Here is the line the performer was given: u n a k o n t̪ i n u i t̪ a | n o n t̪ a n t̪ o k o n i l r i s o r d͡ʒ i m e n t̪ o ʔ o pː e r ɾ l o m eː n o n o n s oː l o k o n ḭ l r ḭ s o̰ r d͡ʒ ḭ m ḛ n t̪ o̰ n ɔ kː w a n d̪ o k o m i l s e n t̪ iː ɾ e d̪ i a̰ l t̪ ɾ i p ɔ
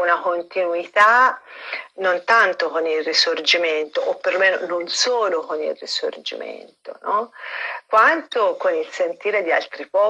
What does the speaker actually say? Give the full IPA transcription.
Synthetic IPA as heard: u n a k o n t̪ i n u i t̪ a | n o n t̪ a n t̪ o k o n i l r i s o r d͡ʒ i m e n t̪ o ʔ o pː e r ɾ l o m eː n o n o n s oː l o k o n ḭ l r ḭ s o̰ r d͡ʒ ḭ m ḛ n t̪ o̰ n ɔ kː w a n t̪ o k o n i l s e n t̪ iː ɾ e d̪ i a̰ l t̪ ɾ i p ɔ